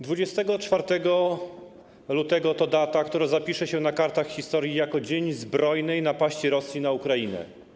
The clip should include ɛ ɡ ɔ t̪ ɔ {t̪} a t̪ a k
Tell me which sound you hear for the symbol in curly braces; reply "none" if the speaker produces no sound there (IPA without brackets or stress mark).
d̪